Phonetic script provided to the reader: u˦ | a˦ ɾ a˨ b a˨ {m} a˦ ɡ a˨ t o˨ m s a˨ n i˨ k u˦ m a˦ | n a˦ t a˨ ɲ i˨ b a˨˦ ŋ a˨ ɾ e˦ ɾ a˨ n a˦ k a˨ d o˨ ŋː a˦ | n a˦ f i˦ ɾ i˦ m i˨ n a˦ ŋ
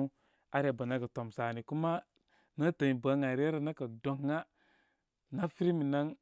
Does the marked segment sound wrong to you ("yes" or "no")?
yes